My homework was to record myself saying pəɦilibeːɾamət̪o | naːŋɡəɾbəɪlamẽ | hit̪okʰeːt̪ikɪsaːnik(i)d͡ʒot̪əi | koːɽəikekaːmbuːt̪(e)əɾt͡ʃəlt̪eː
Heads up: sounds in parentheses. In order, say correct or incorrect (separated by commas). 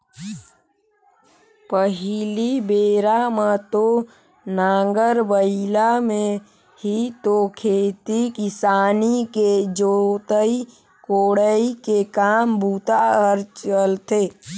incorrect, incorrect